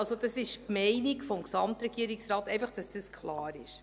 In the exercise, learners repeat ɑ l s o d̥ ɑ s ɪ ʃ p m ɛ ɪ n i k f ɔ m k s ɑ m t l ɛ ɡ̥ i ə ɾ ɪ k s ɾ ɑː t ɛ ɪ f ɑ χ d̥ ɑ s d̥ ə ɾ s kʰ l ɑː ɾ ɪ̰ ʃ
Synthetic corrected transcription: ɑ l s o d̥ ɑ s ɪ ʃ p m ɛ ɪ n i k f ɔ m k s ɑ m t ɾ ɛ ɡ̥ i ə ɾ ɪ k s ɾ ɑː t ɛ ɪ f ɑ χ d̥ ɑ s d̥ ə s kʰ l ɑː ɾ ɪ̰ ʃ

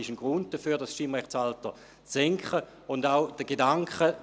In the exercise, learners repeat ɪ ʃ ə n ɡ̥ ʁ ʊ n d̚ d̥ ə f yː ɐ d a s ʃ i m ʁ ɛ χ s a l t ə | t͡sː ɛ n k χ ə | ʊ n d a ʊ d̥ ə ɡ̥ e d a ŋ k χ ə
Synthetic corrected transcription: ɪ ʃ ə n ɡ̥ ʁ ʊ n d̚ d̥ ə f yː ɐ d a s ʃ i m ʁ ɛ χ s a l t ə | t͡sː ɛ ŋ k χ ə | ʊ n d a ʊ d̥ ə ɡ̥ e d a ŋ k χ ə

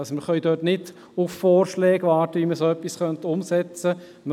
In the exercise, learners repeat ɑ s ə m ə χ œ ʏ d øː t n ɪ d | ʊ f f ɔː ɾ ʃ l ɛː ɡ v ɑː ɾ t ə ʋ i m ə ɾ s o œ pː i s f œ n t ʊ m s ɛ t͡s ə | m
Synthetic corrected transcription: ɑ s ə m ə χ œ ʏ d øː t n ɪ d | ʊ f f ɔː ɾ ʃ l ɛː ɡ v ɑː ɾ t ə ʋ i m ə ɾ s o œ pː i s χ œ n t ʊ m s ɛ t͡s ə | m

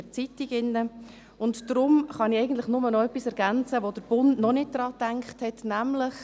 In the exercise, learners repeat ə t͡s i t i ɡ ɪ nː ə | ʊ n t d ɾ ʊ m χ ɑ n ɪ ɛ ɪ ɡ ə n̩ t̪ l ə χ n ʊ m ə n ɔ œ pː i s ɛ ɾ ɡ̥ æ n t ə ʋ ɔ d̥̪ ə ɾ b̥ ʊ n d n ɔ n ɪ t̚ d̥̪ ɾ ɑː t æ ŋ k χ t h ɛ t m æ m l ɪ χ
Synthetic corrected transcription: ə t͡s i t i ɡ ɪ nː ə | ʊ n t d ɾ ʊ m χ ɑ n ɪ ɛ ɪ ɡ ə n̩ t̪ l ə χ n ʊ m ə n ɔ œ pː i s ɛ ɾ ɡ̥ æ n t͡s ə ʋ o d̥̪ ə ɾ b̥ ʊ n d n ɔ n ɪ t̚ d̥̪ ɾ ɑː t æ ŋ k χ t h ɛ t n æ m l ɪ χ

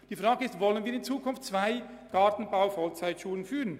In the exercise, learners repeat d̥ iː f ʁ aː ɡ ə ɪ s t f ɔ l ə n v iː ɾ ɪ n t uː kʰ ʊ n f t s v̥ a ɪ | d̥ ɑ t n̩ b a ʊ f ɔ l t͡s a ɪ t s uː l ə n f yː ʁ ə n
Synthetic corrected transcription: d̥ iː f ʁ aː ɡ ə ɪ s t v ɔ l ə n v iː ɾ ɪ n t͡s uː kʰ ʊ n f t t͡s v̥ a ɪ | ɡ̥ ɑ t n̩ b a ʊ f ɔ l t͡s a ɪ t ʃ uː l ə n f yː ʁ ə n

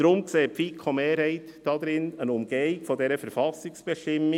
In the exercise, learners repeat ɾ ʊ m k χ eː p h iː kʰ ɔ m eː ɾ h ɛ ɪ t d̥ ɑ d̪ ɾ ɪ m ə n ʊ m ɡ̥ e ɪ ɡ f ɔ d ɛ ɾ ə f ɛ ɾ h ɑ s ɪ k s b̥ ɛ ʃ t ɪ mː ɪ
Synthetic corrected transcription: ɾ ʊ m k s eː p f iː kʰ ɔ m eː ɾ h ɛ ɪ t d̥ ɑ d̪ ɾ ɪ n ə n ʊ m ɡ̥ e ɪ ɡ f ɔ d ɛ ɾ ə f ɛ ɾ f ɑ s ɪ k s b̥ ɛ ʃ t ɪ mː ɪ

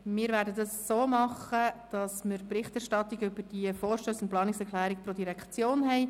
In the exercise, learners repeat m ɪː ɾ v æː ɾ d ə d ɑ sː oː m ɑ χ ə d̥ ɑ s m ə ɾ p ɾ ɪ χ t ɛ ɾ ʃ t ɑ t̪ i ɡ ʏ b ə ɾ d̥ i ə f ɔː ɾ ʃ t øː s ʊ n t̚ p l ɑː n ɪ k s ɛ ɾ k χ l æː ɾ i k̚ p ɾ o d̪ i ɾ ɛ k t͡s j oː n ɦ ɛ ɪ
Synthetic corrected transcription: m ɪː ɾ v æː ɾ d ə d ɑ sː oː m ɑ χ ə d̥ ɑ s m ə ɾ p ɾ ɪ χ t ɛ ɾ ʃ t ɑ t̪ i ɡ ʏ b ə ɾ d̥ i ə f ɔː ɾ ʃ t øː s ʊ n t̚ p l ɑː n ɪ k s ɛ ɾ k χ l æː ɾ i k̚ p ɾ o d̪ i ɾ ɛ k t͡s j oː n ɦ ɛ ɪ

